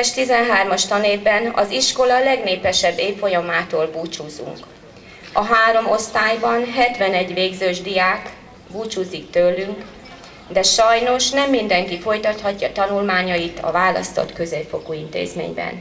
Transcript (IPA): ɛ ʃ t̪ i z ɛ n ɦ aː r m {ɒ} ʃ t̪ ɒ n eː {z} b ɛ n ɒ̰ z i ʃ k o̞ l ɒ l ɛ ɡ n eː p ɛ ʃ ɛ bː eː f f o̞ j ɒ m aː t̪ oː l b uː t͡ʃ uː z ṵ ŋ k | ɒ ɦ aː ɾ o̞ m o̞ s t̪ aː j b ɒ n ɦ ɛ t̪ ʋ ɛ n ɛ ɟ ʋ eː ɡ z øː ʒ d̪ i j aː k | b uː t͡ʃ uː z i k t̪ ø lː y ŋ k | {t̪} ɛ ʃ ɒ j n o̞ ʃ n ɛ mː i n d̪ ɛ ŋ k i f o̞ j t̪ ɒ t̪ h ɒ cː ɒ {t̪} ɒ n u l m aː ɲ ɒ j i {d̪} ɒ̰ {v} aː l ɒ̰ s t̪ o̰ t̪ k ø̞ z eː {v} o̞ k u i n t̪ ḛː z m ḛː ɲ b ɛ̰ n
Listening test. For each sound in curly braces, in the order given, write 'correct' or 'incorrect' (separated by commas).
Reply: correct, incorrect, incorrect, correct, incorrect, correct, incorrect